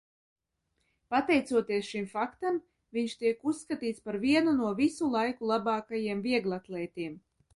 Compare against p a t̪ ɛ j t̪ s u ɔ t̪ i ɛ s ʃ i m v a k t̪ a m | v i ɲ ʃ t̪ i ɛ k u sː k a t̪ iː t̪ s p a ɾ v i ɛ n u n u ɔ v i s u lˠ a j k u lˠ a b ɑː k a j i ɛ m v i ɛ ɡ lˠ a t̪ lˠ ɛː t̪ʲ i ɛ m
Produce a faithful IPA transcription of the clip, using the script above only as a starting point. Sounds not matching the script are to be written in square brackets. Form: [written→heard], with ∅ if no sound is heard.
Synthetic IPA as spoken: p a t̪ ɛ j t̪ s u ɔ t̪ i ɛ s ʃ i m [v→f] a k t̪ a m | v i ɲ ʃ t̪ i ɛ k u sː k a t̪ iː t̪ s p a ɾ v i ɛ n u n u ɔ v i s u lˠ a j k u lˠ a b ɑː k a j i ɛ m v i ɛ ɡ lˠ a t̪ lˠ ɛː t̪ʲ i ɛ m